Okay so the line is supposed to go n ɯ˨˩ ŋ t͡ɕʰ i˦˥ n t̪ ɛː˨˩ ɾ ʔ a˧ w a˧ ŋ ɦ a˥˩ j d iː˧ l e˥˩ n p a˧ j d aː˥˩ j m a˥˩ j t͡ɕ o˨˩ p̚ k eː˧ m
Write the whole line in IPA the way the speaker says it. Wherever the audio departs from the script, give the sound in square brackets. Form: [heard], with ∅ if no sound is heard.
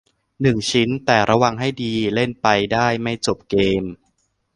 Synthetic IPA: n ɯ˨˩ ŋ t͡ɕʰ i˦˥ n t̪ ɛː˨˩ ɾ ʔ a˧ w a˧ ŋ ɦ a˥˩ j d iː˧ l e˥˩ n p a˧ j d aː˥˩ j m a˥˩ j t͡ɕ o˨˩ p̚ k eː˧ m